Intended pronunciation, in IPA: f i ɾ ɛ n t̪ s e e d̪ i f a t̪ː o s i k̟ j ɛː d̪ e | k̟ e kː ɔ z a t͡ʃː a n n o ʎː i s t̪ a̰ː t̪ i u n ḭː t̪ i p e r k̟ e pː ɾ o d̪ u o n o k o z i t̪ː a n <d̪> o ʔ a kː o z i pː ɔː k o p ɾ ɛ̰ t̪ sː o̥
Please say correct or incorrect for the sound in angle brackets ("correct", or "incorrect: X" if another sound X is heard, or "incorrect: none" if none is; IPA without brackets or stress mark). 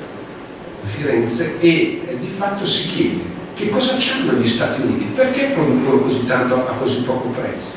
incorrect: t̪